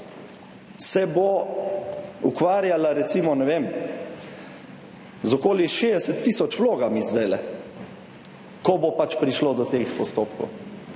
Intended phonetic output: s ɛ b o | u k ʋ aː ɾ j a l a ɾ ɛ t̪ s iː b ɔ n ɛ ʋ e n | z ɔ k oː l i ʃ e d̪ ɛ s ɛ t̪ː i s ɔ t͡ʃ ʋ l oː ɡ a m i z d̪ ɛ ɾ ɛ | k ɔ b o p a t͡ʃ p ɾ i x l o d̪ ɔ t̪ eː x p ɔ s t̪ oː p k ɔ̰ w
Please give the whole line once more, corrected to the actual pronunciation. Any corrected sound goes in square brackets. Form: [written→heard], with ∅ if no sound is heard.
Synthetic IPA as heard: s ɛ b o | u k ʋ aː ɾ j a l a ɾ ɛ t̪ s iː [b→m] ɔ n ɛ ʋ e [n→m] | z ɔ k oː l i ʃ e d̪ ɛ s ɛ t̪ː i s ɔ t͡ʃ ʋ l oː ɡ a m i z d̪ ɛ [ɾ→l] ɛ | k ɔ b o p a t͡ʃ p ɾ i [x→ʃ] l o d̪ ɔ t̪ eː x p ɔ s t̪ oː p k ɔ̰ w